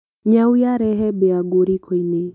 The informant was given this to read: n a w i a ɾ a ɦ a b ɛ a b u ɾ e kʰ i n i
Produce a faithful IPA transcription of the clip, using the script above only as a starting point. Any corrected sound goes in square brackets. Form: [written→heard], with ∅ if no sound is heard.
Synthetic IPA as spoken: [n→ɲ] a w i a ɾ [a→ɛ] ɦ [a→ɛ] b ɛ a [b→ɡ] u ɾ [e→i] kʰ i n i